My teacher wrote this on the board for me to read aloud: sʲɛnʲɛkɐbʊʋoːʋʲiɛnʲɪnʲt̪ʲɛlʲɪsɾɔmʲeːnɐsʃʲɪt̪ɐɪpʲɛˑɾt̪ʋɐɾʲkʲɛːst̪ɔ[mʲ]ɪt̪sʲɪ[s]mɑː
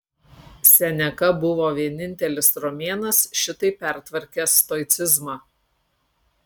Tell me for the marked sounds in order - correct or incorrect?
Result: incorrect, incorrect

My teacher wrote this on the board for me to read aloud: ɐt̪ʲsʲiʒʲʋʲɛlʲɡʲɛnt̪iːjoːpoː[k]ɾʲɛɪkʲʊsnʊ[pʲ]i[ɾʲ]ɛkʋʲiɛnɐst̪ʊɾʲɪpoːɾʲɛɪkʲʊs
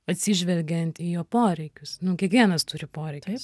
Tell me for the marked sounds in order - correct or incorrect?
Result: incorrect, incorrect, incorrect

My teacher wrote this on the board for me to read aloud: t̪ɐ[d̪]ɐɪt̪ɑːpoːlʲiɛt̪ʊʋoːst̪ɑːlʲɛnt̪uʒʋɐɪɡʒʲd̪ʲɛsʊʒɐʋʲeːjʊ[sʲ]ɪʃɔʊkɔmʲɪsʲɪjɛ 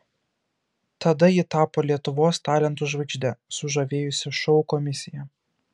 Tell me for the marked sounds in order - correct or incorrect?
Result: correct, correct

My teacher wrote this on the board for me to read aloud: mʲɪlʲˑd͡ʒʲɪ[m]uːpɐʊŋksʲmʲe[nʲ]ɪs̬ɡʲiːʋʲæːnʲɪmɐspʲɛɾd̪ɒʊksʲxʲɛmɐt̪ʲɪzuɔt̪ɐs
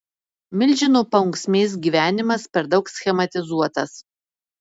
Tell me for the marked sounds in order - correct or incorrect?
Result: incorrect, incorrect

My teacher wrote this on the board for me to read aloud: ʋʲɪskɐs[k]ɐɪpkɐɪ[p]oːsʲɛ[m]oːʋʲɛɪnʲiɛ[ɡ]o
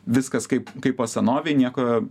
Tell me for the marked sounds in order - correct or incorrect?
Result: correct, correct, incorrect, incorrect

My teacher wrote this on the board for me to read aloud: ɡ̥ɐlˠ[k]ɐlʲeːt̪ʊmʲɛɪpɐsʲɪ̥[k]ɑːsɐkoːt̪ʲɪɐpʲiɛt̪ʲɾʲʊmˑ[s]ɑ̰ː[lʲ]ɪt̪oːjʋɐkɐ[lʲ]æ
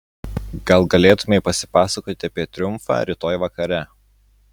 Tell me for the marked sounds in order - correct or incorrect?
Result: incorrect, incorrect, incorrect, incorrect, incorrect

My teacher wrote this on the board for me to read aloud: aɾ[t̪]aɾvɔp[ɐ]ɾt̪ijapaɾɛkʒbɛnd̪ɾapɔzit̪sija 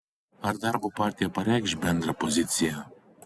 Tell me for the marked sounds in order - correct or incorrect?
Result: incorrect, incorrect

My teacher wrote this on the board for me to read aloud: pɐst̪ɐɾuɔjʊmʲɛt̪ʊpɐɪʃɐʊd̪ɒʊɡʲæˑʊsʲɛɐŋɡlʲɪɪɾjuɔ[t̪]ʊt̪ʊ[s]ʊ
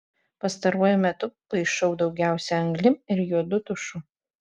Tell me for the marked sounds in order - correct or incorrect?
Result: incorrect, incorrect

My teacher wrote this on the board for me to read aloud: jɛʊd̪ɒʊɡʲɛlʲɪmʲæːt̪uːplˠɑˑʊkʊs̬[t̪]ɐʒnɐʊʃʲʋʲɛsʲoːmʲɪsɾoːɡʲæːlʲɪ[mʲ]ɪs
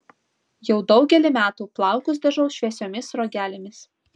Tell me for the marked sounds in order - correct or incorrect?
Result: incorrect, correct

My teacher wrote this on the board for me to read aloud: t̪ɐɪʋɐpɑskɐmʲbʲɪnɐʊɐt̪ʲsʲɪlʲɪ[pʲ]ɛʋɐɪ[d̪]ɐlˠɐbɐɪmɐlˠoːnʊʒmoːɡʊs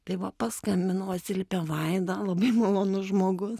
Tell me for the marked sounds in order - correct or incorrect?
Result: correct, correct

